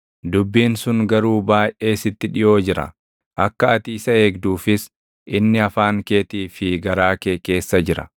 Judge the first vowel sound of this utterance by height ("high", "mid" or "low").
high